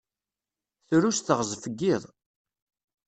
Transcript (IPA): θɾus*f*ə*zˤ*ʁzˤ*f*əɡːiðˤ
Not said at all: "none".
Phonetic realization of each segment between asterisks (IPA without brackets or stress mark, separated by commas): θ, none, f